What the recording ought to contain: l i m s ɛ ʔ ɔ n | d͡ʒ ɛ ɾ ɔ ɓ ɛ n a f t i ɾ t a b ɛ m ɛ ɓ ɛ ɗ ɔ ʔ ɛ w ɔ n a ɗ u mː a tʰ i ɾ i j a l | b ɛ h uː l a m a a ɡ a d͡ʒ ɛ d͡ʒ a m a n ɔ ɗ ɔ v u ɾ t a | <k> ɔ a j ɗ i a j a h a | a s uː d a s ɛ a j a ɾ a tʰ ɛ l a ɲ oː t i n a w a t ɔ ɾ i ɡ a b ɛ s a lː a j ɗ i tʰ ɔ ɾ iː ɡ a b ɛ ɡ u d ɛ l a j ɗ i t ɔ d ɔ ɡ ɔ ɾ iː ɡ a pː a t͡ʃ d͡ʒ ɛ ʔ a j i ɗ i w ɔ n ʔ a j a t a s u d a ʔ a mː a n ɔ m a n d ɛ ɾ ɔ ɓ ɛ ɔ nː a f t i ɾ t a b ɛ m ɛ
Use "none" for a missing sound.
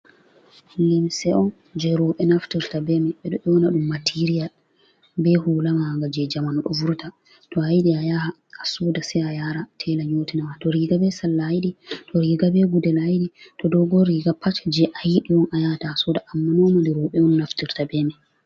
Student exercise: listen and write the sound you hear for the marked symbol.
t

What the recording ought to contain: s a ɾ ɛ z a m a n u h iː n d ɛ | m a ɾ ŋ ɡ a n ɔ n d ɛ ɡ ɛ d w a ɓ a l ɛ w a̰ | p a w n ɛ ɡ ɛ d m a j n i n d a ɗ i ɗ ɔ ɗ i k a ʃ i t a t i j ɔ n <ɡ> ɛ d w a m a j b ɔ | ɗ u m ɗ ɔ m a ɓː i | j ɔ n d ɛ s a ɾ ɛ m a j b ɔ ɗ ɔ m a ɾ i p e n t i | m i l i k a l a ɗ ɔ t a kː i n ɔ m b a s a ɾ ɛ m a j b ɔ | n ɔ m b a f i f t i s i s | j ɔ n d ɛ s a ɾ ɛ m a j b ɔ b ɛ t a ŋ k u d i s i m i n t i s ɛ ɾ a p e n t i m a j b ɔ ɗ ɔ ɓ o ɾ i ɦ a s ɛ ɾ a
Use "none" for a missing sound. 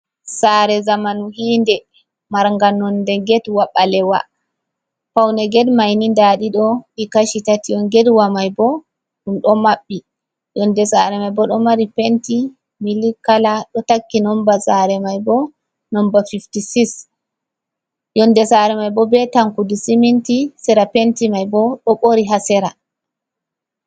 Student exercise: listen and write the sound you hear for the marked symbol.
ɡ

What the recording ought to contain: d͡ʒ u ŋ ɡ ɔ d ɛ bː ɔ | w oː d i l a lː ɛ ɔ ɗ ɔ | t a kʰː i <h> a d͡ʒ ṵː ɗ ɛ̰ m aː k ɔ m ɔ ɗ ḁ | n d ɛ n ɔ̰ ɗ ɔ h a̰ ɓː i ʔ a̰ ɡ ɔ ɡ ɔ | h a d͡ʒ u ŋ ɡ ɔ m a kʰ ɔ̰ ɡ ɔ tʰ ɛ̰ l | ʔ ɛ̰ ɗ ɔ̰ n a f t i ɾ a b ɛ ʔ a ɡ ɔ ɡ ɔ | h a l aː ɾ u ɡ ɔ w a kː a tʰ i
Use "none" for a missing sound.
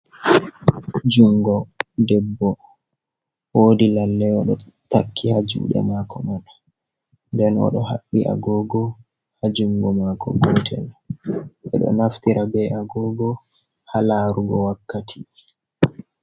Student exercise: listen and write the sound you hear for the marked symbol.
h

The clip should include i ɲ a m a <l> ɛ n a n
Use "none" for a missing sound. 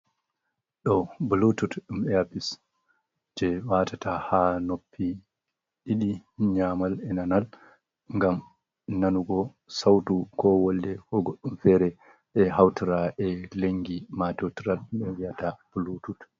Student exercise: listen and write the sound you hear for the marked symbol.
l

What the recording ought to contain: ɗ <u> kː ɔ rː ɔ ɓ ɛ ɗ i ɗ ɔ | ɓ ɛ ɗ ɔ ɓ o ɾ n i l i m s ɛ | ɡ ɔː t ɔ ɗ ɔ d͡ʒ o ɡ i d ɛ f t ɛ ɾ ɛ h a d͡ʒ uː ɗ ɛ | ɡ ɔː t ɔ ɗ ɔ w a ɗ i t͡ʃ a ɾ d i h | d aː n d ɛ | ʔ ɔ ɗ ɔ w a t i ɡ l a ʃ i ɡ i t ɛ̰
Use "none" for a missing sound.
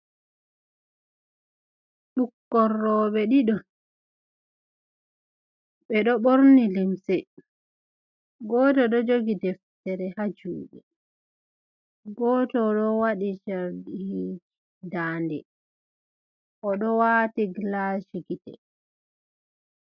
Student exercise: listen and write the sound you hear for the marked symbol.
u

